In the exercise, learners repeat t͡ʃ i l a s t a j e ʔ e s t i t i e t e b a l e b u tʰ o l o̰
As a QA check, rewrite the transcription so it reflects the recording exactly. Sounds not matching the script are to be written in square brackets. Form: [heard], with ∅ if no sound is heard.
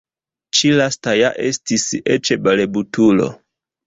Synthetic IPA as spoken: t͡ʃ i l a s t a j [a] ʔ e s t i [s] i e [t͡ʃ] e b a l e b u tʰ [u] l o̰